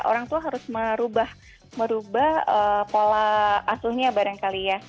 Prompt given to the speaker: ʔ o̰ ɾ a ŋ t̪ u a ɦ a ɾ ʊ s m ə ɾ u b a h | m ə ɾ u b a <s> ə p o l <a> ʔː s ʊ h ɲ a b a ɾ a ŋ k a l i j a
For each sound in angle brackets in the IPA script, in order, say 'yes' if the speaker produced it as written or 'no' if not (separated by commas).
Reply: no, yes